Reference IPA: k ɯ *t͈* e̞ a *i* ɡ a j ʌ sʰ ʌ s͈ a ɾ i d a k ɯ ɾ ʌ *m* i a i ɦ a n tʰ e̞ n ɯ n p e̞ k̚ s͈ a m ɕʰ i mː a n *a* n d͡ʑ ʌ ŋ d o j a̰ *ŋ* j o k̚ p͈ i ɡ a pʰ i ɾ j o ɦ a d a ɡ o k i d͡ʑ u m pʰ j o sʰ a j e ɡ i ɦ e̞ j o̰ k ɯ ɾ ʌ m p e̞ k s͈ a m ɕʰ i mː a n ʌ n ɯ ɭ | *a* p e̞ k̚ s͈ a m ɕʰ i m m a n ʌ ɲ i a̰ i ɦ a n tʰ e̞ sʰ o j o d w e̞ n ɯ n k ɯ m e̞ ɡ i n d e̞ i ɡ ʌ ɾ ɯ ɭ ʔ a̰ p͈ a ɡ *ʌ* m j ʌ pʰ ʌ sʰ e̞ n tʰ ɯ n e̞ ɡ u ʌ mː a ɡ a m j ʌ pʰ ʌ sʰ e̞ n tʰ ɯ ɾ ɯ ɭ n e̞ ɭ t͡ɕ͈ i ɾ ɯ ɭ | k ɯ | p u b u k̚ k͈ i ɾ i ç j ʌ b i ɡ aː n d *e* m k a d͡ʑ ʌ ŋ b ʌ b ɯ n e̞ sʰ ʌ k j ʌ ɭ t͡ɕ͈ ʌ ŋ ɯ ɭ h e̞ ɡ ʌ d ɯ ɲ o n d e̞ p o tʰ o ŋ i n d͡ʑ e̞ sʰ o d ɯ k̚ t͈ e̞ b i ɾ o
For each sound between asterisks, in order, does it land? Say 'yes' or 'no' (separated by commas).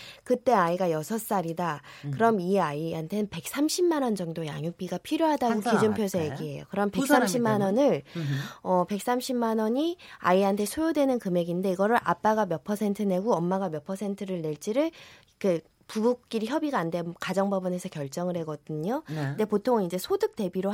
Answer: yes, yes, yes, no, yes, no, no, yes